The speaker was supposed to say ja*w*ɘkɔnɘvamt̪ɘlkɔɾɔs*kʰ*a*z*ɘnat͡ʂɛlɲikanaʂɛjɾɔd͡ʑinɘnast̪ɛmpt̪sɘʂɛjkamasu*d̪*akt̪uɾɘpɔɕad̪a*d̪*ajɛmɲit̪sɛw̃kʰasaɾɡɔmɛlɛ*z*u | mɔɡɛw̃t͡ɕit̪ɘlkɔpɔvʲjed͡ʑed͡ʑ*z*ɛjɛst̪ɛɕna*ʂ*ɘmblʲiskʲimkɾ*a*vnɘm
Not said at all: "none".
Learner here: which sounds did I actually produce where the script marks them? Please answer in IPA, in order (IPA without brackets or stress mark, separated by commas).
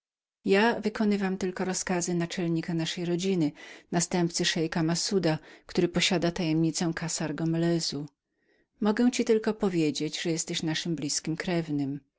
v, k, z, d̪, t̪, z, ʐ, ʂ, ɛ